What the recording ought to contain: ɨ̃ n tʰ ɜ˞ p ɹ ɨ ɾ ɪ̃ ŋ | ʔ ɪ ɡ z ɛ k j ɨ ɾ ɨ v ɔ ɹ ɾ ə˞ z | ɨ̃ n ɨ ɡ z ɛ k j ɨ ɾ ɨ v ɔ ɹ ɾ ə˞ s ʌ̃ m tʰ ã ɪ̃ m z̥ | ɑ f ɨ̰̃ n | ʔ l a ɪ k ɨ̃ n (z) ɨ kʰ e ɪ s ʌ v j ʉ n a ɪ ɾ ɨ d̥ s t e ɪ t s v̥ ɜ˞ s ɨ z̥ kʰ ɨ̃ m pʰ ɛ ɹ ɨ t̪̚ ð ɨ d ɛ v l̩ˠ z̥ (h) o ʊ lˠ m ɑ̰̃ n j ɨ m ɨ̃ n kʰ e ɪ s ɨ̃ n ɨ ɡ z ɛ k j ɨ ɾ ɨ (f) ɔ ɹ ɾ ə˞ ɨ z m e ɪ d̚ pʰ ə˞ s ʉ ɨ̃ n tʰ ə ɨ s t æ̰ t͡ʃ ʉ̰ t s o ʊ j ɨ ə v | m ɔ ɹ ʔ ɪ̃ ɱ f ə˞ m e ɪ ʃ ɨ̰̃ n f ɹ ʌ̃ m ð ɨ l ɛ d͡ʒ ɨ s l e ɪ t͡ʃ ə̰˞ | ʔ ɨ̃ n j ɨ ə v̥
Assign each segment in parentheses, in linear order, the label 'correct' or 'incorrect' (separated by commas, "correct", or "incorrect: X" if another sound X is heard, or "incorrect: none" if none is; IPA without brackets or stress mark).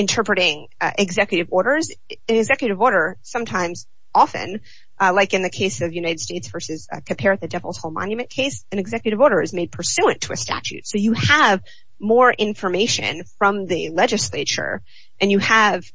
incorrect: ð, correct, incorrect: v